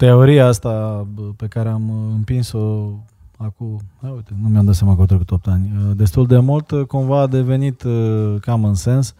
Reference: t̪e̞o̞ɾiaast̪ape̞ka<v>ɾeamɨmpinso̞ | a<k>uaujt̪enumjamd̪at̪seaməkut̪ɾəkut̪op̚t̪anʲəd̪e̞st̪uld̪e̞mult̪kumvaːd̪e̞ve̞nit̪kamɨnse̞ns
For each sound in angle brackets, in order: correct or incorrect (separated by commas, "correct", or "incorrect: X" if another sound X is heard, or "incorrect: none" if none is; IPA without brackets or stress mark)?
incorrect: none, correct